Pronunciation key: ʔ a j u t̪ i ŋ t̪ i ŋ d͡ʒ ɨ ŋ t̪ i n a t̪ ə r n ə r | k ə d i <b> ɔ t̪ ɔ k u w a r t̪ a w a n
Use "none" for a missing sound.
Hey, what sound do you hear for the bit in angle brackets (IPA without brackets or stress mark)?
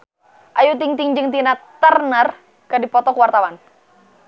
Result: p